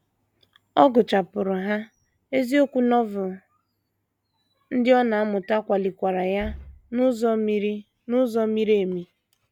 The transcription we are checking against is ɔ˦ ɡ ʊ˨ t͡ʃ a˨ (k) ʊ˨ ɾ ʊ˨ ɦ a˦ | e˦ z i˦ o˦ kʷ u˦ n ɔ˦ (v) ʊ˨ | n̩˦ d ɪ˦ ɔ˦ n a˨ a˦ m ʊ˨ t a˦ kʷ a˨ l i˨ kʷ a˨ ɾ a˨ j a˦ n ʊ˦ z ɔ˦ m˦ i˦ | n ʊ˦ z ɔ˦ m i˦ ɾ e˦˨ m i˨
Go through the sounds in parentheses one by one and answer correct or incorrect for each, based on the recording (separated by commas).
incorrect, correct